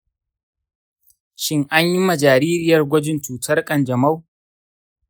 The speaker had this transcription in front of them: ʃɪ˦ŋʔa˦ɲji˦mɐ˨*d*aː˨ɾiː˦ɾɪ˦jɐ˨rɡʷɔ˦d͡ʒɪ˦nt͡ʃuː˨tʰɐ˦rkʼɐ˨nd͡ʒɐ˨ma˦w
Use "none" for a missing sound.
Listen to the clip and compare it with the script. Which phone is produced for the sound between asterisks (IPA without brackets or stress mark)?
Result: d͡ʒ